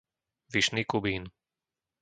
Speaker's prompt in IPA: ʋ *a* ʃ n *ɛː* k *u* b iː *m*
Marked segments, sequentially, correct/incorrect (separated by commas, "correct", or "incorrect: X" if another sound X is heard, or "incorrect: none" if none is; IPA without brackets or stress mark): incorrect: i, incorrect: iː, correct, incorrect: n